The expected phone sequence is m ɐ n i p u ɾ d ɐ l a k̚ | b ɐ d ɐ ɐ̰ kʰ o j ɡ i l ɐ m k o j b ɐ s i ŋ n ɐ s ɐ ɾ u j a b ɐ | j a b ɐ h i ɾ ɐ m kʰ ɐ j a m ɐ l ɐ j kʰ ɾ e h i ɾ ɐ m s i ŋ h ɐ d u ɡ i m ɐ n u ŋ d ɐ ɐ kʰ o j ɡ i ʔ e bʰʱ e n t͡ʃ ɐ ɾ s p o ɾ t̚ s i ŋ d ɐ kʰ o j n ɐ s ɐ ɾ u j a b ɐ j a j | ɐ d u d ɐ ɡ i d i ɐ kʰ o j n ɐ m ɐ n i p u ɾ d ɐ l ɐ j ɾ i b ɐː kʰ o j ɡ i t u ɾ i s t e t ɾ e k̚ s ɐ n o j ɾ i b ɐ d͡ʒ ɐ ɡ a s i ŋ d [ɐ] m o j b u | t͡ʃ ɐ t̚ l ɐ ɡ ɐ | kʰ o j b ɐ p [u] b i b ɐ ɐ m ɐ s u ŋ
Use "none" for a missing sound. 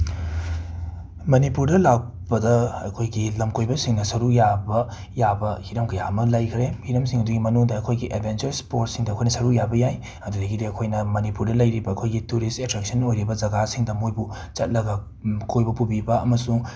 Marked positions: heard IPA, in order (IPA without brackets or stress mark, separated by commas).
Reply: ɐ, u